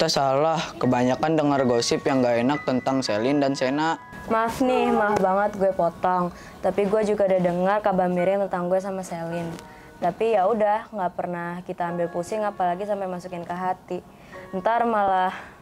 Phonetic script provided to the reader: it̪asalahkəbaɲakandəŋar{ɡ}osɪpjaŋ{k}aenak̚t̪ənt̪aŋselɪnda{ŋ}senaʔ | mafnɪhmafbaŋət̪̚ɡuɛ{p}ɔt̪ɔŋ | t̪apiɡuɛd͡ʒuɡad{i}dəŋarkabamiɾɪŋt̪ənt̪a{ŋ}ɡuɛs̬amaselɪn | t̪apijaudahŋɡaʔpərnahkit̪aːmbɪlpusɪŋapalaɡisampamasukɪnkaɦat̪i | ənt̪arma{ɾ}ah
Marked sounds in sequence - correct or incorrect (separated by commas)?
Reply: correct, incorrect, incorrect, correct, incorrect, correct, incorrect